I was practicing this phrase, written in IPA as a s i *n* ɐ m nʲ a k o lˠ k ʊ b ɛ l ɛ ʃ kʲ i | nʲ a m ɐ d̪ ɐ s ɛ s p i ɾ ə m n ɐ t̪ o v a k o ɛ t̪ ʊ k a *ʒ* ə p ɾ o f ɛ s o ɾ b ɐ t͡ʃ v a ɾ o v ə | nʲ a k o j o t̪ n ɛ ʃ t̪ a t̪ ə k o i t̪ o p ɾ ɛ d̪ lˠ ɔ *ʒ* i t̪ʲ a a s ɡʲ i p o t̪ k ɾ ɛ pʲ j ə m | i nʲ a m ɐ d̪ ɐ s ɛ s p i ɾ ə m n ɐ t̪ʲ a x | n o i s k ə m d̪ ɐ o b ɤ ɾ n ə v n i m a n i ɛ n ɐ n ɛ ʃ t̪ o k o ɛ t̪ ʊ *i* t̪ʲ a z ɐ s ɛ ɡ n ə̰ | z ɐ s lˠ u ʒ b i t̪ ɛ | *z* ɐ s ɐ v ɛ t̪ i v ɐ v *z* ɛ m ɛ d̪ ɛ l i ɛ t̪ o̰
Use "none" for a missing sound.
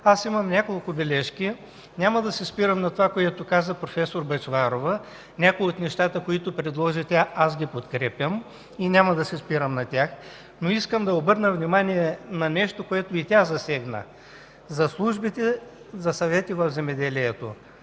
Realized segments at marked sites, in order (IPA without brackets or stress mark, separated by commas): m, z, ʒ, i, z, z